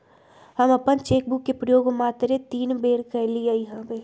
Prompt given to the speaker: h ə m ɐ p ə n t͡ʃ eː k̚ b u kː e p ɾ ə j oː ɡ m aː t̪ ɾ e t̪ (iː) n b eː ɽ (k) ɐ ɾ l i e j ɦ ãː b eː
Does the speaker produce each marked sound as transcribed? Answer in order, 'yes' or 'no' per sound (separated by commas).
yes, yes